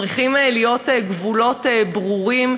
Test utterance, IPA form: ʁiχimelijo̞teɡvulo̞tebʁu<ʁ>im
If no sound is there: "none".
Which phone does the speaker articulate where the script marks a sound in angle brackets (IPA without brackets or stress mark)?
ʁ